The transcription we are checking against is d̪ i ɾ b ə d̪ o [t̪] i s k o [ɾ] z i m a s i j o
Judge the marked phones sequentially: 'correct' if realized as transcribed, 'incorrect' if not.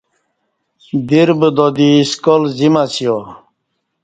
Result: incorrect, incorrect

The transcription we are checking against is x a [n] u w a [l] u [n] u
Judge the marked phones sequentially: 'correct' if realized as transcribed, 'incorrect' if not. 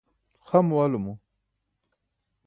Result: incorrect, correct, incorrect

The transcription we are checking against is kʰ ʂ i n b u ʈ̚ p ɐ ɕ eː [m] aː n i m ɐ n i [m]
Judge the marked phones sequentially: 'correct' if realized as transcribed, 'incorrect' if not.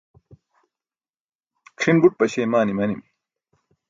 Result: correct, correct

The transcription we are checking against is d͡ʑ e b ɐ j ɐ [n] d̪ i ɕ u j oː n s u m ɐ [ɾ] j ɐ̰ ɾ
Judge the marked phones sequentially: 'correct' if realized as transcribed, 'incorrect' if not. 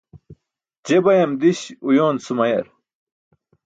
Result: incorrect, incorrect

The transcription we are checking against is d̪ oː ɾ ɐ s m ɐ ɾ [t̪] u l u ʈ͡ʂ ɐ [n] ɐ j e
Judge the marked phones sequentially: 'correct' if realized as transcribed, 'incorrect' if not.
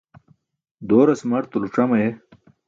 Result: correct, incorrect

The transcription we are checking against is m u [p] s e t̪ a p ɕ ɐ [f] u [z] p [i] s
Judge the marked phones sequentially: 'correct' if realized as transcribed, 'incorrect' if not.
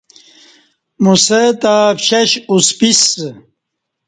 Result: incorrect, incorrect, incorrect, correct

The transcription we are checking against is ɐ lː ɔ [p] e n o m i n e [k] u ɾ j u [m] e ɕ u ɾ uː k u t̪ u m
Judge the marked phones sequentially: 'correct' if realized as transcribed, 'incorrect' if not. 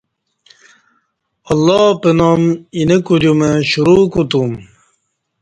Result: correct, correct, correct

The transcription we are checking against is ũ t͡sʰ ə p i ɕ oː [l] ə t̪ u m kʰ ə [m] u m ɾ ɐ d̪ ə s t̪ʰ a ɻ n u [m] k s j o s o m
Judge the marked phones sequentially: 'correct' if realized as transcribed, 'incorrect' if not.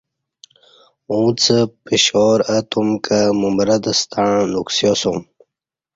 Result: incorrect, correct, incorrect

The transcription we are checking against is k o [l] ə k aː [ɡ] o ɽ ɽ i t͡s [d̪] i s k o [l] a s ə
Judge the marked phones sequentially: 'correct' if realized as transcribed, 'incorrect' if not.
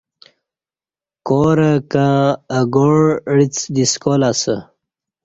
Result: incorrect, correct, correct, correct

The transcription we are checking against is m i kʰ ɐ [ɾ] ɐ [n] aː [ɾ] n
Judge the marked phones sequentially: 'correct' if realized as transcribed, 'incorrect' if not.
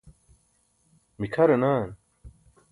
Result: correct, correct, incorrect

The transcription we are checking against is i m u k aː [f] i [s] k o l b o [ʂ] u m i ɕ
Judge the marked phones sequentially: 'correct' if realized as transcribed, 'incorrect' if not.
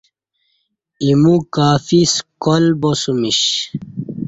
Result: correct, correct, incorrect

